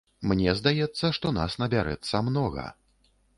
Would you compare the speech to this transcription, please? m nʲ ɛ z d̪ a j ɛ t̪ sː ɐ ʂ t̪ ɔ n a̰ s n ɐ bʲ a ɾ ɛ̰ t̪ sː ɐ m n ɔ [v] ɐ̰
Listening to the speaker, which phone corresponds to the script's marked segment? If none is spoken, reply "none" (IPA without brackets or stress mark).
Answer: ɣ